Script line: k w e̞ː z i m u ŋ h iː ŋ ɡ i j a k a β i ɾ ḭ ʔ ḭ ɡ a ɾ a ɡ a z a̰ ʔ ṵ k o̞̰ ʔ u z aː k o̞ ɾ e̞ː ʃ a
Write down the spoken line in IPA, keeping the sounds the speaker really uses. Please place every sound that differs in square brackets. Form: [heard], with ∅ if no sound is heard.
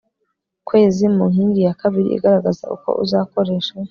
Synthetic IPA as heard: k w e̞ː z i m u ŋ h iː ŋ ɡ i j a k a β i ɾ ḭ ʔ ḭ ɡ a ɾ a ɡ a z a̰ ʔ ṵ k o̞̰ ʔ u z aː k o̞ ɾ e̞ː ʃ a

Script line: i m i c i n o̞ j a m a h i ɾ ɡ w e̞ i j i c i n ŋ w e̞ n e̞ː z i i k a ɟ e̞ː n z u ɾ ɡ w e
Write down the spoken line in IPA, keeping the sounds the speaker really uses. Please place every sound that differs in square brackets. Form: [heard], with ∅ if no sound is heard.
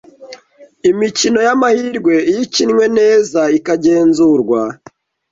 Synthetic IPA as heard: i m i c i n o̞ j a m a h i ɾ ɡ w e̞ i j i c i n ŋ w e̞ n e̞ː z [a] i k a ɟ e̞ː n z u ɾ ɡ w [a]

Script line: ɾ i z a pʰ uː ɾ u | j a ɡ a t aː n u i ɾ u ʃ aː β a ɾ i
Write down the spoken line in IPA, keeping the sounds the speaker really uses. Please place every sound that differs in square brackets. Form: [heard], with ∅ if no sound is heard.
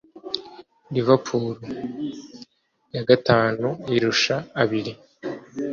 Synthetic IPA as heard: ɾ i [v] a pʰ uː ɾ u | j a ɡ a t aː n u i ɾ u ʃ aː β [i] ɾ i

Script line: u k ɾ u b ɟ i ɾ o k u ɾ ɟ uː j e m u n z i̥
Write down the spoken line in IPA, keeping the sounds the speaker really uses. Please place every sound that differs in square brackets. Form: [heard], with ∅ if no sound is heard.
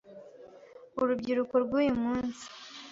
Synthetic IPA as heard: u [∅] ɾ u b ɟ i ɾ [u] k [o] ɾ [ɡ] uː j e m [uː] n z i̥

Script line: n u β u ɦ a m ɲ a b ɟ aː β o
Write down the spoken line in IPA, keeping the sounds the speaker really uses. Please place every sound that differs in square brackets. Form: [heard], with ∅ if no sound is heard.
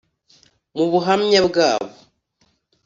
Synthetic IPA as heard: [m] u β u ɦ a m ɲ a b [ɡ] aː β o

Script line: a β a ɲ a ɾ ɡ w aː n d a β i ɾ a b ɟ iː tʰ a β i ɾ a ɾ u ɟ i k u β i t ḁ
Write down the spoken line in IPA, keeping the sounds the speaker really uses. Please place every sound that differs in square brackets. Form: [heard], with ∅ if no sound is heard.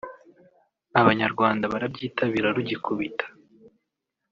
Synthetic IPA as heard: a β a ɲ a ɾ ɡ w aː n d a β [a] ɾ a b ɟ iː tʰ a β i ɾ a ɾ u ɟ i k u β i t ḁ

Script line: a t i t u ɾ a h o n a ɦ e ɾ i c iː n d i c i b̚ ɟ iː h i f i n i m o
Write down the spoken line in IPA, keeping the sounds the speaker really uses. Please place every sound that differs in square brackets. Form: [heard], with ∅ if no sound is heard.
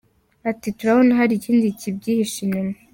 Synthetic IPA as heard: a t i t u ɾ a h o n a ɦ [a] ɾ i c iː n d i c i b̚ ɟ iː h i [ʃ] i n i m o

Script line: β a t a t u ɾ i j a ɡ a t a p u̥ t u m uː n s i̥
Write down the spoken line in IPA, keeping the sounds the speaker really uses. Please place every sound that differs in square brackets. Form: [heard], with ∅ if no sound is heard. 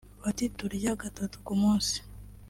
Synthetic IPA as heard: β a t [i] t u ɾ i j a ɡ a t a [t] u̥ [k] u m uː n s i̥

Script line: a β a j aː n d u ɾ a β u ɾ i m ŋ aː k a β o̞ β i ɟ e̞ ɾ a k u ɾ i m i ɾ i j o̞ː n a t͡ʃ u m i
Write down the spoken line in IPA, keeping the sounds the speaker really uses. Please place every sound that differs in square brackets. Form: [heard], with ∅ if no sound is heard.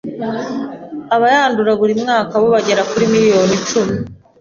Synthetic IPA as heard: a β a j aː n d u ɾ a β u ɾ i m ŋ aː k a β o̞ β [a] ɟ e̞ ɾ a k u ɾ i m i ɾ i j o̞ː n [i] t͡ʃ u m i

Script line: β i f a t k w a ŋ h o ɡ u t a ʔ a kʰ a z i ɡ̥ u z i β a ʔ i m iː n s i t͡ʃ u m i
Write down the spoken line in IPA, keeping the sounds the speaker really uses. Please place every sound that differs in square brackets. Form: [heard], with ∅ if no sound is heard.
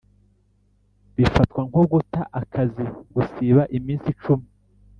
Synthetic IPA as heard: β i f a t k w a ŋ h o ɡ u t a ʔ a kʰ a z i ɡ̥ u [s] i β a ʔ i m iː n s i t͡ʃ u m i

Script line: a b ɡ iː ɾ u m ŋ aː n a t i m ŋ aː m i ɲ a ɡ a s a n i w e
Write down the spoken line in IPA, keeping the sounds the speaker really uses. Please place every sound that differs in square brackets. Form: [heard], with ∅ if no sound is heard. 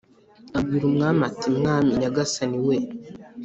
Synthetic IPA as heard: a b ɡ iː ɾ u m ŋ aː [m] a t i m ŋ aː m i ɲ a ɡ a s a n i w e

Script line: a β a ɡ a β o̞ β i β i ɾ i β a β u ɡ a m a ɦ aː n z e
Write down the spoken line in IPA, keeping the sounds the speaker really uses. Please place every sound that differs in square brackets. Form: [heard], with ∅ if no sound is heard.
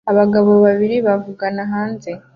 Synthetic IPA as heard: a β a ɡ a β o̞ β [a] β i ɾ i β a [v] u ɡ a [n] a ɦ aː n z e

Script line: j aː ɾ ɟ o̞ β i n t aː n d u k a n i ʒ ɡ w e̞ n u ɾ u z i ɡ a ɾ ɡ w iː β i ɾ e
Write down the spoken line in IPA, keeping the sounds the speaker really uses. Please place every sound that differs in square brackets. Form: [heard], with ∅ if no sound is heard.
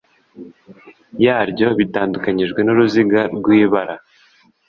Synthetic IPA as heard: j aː ɾ ɟ o̞ β i [∅] t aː n d u k a [ɲ] i ʒ ɡ w e̞ n u ɾ u z i ɡ a ɾ ɡ w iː β [a] ɾ [a]

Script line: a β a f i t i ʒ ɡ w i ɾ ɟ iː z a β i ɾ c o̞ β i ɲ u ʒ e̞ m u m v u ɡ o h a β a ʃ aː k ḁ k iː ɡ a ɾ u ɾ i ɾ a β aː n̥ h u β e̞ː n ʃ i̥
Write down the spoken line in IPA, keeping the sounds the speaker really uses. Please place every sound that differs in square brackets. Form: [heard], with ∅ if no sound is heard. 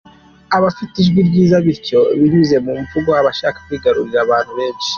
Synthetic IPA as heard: a β a f i t i ʒ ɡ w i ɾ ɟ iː z a β i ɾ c o̞ β i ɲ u [z] e̞ m u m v u ɡ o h a β a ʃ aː k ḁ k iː ɡ a ɾ u ɾ i ɾ a β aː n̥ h u β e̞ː n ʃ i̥

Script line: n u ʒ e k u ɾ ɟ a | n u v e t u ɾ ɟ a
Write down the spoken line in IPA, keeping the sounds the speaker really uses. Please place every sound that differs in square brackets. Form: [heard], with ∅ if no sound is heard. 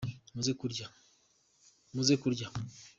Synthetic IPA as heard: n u [z] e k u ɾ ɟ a | n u [z] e [k] u ɾ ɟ a

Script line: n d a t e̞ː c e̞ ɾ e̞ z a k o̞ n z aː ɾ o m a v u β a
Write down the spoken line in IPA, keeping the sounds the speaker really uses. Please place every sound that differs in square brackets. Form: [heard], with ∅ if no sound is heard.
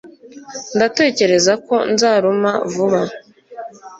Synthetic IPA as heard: n d a t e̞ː c e̞ ɾ e̞ z a k o̞ n z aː ɾ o m a v u β a

